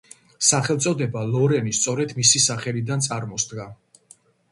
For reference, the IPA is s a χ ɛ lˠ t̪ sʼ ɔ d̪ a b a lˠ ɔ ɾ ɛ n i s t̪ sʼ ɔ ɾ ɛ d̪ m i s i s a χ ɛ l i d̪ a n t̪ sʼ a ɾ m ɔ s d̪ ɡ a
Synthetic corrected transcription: s a χ ɛ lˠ t̪ sʼ ɔ d̪ ɛ b a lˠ ɔ ɾ ɛ n i s t̪ sʼ ɔ ɾ ɛ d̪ m i s i s a χ ɛ l i d̪ a n t̪ sʼ a ɾ m ɔ s d̪ ɡ a